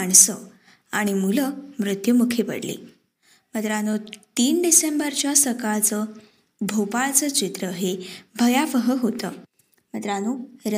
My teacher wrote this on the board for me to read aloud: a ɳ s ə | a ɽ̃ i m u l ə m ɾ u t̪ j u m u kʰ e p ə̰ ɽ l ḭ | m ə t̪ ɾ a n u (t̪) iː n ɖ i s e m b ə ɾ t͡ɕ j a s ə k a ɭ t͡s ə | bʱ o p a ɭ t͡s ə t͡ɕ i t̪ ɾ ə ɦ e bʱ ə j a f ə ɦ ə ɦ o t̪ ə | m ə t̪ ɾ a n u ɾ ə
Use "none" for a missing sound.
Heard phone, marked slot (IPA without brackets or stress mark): t̪